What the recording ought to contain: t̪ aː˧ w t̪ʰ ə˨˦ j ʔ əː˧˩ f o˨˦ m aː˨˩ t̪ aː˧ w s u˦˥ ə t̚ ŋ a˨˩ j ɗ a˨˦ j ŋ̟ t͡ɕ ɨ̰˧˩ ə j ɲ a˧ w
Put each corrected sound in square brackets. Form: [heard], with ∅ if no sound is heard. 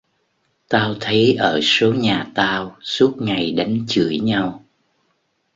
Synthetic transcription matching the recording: t̪ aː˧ w t̪ʰ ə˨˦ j ʔ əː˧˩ [s] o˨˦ [ɲ] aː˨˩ t̪ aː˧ w s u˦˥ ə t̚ ŋ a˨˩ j ɗ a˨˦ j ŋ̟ t͡ɕ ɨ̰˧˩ ə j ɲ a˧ w